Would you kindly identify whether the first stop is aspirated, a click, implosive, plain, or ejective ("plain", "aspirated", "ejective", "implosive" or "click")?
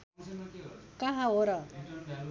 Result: plain